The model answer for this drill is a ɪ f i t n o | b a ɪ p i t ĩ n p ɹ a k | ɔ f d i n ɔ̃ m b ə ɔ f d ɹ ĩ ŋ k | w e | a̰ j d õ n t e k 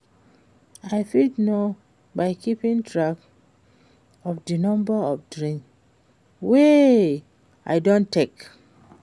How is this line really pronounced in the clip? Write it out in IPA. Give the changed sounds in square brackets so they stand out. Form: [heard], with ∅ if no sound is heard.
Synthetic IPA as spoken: a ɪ f i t n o | b a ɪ [k] i [p] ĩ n [t] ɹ a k | ɔ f d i n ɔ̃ m b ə ɔ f d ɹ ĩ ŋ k | w e | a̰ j d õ n t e k